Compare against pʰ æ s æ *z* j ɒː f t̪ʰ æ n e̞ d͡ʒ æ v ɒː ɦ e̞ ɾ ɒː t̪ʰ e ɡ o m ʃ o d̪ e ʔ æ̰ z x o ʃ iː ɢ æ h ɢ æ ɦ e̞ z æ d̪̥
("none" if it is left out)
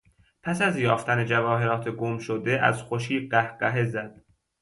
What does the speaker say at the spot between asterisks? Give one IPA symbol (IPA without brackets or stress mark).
z